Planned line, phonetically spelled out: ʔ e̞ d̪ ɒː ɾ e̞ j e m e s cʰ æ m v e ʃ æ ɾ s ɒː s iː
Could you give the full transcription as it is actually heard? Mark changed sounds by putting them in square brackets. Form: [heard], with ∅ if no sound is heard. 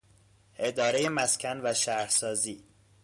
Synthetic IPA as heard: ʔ e̞ d̪ ɒː ɾ e̞ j e m [æ] s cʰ æ [n] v [æ] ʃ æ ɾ s ɒː [z] iː